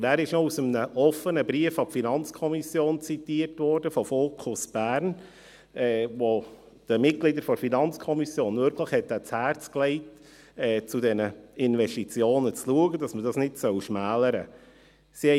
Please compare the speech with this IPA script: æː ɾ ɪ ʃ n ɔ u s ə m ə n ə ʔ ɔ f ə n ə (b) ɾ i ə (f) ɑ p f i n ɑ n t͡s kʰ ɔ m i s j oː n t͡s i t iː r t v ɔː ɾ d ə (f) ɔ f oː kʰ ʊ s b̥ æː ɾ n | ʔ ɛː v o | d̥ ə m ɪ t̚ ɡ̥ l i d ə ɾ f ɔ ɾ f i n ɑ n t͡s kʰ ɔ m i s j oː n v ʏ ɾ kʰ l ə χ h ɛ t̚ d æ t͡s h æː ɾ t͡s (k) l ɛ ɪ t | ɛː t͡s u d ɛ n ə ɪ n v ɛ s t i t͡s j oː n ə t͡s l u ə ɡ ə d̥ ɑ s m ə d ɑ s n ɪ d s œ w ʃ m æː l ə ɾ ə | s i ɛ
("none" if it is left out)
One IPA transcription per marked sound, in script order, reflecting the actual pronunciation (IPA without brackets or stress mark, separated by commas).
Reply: b, f, f, k